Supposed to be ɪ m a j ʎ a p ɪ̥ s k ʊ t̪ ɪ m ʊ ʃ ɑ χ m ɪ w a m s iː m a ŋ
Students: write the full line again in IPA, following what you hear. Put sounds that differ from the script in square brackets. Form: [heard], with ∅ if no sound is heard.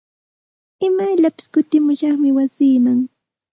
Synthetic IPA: ɪ m a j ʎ a p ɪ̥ s k ʊ t̪ ɪ m ʊ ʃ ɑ χ m ɪ w a [∅] s iː m a ŋ